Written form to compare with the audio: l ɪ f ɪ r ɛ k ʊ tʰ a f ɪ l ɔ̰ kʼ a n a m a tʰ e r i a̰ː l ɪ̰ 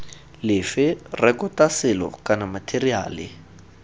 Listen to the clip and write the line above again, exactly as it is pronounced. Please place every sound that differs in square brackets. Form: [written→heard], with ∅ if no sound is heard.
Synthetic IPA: l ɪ f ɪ r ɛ k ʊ [tʰ→t] a [f→s] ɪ l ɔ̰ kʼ a n a m a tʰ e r i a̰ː l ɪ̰